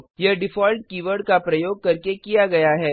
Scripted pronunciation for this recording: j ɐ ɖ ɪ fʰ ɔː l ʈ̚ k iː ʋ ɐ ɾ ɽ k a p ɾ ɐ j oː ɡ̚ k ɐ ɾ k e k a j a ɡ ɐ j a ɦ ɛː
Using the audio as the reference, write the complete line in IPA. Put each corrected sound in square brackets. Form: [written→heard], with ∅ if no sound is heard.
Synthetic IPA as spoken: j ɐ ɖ ɪ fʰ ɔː l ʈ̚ k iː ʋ [ɐ→ə] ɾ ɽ k a p ɾ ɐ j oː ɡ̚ k ɐ ɾ k e k [a→i] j a ɡ ɐ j a ɦ ɛː

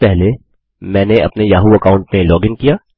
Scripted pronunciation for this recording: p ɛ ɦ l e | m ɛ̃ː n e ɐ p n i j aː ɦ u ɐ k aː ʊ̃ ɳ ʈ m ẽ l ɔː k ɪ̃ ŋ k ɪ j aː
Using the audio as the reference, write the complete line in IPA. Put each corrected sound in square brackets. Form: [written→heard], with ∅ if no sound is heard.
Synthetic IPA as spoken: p ɛ ɦ l e | m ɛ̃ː n e ɐ p n [i→e] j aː ɦ u ɐ k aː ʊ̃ ɳ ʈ m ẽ l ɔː [k→ɡ] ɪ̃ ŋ k [ɪ→i] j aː

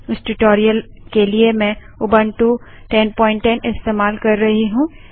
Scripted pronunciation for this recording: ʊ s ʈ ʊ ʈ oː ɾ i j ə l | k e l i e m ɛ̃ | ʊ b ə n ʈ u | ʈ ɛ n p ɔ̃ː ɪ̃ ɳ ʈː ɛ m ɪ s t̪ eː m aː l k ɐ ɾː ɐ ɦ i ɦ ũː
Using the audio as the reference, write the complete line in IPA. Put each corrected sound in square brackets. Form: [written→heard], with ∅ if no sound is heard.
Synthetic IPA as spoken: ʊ s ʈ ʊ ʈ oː ɾ i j ə l | k e l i e m ɛ̃ | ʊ b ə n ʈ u | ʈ ɛ n p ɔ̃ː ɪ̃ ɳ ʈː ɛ [m→n] ɪ s t̪ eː m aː l k ɐ ɾː ɐ ɦ i ɦ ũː

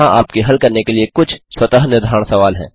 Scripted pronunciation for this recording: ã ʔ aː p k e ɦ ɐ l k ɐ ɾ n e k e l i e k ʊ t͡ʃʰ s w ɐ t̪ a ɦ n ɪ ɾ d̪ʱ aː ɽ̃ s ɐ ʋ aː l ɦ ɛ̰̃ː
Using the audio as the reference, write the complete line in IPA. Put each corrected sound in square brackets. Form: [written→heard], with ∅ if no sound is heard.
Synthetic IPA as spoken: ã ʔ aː p k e ɦ ɐ l k ɐ ɾ n e k e l i e k ʊ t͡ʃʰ s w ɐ t̪ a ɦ n ɪ ɾ d̪ʱ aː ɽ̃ s ɐ ʋ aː l ɦ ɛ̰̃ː

